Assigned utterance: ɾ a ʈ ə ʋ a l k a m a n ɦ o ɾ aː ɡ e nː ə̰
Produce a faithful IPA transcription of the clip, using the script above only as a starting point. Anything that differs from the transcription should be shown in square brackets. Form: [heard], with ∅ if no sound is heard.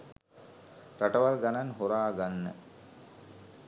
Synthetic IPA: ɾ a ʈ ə ʋ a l [ɡ] a [n] a n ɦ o ɾ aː ɡ [a] nː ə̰

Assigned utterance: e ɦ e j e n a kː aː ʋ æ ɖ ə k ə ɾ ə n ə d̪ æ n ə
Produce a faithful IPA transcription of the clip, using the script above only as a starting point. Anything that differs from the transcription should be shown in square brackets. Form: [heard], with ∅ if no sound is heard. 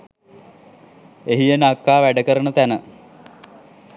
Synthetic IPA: e ɦ [i] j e n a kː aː ʋ æ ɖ ə k ə ɾ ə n ə [t̪] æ n ə

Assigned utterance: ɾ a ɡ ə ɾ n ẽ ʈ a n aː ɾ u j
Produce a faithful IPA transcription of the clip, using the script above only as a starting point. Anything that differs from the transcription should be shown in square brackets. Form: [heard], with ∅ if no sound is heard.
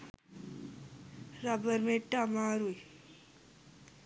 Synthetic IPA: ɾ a [b] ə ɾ [m] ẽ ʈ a [m] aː ɾ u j

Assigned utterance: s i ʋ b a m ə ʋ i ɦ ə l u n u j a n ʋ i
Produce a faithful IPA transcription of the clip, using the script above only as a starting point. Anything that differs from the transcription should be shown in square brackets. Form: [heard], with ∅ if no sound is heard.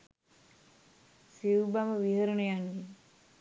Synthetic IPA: s i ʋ b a m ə ʋ i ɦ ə [ɾ] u n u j a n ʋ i

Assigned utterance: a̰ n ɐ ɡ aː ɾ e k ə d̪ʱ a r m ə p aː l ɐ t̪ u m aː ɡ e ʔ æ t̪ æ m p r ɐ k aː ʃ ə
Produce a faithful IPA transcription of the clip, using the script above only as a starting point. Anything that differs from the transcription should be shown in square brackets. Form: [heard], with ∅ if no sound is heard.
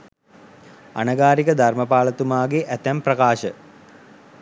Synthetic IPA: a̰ n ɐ ɡ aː ɾ [i] k ə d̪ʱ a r m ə p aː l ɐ t̪ u m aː ɡ e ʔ æ t̪ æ m p r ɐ k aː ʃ ə

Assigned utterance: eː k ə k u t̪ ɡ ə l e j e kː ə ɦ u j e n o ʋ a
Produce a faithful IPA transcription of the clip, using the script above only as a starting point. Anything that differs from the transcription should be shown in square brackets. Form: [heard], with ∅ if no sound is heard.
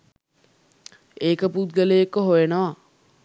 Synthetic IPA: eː k ə [p] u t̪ ɡ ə l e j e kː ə ɦ [o] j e n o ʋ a

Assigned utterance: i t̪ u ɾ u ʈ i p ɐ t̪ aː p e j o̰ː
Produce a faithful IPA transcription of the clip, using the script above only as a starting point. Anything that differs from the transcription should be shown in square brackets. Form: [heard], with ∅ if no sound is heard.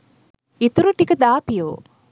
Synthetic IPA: i t̪ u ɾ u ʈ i [k] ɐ [d̪] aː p [i] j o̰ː

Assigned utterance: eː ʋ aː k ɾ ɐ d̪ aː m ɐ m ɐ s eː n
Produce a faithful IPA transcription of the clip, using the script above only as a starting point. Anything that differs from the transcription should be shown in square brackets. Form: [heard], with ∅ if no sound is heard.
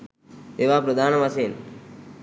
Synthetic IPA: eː ʋ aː [p] ɾ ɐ d̪ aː [n] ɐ m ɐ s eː n

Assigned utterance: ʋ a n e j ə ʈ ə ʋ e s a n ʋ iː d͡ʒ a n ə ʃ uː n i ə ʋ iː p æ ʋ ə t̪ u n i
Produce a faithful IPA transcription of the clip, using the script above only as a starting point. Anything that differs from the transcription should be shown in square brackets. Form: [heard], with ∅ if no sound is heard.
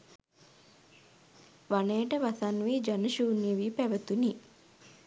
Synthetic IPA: ʋ a n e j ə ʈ ə ʋ [a] s a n ʋ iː d͡ʒ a n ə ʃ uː n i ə ʋ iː p æ ʋ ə t̪ u n i

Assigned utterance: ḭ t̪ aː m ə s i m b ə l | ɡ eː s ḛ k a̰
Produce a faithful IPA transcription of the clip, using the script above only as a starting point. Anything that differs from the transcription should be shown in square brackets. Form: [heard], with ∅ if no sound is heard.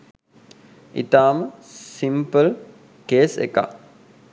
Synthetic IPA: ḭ t̪ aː m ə s i m [p] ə l | [k] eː s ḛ k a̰

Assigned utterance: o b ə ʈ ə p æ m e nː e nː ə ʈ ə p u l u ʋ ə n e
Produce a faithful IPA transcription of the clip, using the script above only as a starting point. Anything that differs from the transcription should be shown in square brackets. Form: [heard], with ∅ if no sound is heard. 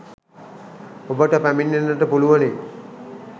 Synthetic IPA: o b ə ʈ ə p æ m [i] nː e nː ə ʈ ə p u l u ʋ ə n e

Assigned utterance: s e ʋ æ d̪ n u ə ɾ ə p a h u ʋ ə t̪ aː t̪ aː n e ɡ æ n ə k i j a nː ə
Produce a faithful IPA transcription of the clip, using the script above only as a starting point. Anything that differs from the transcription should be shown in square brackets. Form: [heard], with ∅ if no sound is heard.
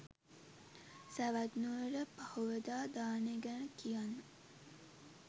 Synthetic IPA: s [æ] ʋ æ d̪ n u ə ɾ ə p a h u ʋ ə [d̪] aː [d̪] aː n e ɡ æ n ə k i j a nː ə

